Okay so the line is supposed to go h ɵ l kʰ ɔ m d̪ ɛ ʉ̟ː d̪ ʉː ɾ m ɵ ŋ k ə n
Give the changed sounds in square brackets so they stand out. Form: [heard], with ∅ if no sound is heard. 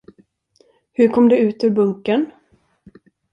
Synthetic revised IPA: h ɵ [ɾ] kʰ ɔ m d̪ ɛ ʉ̟ː [t̪] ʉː ɾ [b] ɵ ŋ k ə n